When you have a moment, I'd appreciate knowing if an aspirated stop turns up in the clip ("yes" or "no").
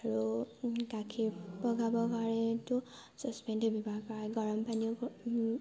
yes